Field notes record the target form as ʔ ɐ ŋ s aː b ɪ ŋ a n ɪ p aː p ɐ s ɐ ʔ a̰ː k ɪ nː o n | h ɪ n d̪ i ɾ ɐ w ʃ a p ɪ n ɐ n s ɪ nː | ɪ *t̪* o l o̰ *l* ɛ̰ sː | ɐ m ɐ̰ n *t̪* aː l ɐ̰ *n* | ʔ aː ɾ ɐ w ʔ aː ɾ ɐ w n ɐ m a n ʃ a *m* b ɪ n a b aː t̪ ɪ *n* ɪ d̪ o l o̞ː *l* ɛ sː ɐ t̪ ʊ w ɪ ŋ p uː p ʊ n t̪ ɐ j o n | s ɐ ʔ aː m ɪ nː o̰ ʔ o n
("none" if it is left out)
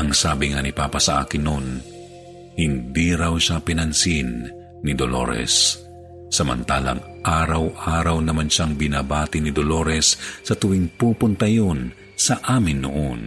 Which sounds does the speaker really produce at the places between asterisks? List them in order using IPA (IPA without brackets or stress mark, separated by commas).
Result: d̪, ɾ, t̪, ŋ, ŋ, n, ɾ